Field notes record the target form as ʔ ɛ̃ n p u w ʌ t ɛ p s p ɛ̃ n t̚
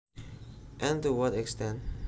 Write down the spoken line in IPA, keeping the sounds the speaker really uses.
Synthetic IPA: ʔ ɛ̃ n t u w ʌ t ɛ k s t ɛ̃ n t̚